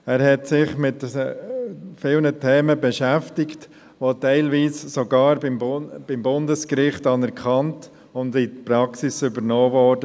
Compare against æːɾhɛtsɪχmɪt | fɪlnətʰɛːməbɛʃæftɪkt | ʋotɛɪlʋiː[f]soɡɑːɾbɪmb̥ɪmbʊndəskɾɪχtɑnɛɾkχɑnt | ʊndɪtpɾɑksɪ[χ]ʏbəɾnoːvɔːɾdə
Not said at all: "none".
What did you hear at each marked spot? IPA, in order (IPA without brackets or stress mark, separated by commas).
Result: s, s